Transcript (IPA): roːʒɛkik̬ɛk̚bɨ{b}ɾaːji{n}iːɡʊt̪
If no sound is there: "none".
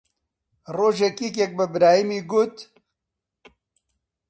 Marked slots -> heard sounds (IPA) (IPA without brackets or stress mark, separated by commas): b, m